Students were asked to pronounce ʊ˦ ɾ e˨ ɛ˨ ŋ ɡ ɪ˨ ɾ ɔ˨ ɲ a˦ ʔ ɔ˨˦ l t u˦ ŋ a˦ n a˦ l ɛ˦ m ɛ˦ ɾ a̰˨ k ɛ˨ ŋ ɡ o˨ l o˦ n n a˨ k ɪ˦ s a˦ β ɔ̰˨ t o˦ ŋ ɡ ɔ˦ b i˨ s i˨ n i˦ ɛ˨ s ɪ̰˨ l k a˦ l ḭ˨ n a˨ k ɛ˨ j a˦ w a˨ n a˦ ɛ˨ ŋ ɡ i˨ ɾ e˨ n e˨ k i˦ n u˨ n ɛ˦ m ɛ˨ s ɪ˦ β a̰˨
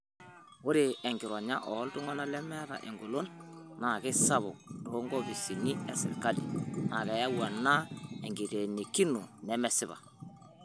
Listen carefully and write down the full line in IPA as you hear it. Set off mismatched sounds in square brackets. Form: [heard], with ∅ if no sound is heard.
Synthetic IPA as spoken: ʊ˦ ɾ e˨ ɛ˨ ŋ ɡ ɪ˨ ɾ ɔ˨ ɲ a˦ ʔ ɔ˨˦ l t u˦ ŋ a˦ n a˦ l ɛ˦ m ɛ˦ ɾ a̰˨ [ʔ] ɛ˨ ŋ ɡ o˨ l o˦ n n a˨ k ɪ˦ s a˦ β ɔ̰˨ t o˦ ŋ ɡ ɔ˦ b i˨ s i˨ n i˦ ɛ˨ s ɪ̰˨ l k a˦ l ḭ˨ n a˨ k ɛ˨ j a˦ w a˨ n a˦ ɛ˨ ŋ ɡ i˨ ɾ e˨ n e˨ k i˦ n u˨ n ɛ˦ m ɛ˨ s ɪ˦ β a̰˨